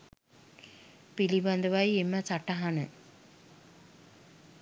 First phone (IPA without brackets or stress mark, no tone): p